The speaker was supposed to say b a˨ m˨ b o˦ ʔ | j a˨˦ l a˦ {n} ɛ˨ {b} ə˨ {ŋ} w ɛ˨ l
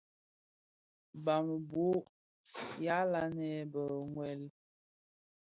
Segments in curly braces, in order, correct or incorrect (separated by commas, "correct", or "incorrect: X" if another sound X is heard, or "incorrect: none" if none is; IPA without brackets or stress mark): correct, correct, correct